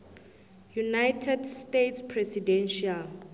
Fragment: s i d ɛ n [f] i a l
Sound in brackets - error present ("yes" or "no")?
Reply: yes